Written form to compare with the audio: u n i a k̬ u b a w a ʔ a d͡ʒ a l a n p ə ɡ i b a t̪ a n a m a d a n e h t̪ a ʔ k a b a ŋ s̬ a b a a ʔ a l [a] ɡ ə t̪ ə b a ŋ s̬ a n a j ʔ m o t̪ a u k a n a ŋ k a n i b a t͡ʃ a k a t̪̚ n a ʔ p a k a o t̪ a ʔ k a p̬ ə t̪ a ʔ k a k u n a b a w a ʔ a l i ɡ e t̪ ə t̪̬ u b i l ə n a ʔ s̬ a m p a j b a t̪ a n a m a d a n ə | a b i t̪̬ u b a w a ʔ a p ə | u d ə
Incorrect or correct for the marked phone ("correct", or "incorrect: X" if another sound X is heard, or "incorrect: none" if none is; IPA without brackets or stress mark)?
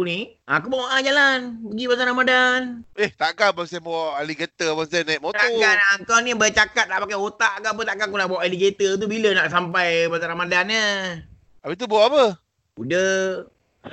incorrect: i